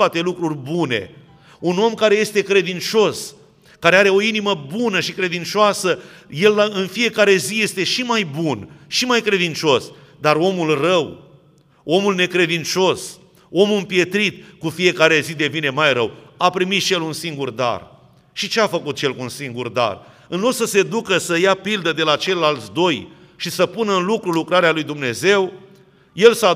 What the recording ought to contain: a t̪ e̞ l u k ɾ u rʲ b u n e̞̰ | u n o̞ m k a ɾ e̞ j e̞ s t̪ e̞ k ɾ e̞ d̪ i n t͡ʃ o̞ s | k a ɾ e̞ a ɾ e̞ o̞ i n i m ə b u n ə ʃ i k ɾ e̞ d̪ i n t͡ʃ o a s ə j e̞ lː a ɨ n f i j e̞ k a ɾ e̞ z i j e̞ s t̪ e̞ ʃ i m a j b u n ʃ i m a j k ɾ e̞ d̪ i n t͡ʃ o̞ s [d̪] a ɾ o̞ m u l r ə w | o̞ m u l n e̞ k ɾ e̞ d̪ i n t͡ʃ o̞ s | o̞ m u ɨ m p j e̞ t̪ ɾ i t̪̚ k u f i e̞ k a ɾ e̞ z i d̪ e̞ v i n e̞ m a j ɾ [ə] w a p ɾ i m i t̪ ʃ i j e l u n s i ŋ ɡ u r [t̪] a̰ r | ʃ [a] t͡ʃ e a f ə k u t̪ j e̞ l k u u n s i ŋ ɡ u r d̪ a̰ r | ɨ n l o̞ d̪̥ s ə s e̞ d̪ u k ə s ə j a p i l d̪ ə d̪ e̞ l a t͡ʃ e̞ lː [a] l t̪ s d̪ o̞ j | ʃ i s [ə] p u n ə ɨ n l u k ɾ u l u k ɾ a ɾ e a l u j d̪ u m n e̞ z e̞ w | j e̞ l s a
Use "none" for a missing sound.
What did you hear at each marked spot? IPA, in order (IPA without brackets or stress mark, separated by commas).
d̪, ə, d̪, i, a, ə